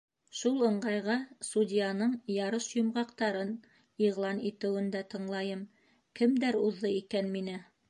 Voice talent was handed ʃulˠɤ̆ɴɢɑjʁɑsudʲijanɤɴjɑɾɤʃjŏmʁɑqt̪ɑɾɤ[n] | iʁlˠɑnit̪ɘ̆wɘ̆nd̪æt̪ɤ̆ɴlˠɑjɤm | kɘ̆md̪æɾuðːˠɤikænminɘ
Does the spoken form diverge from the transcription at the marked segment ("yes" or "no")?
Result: no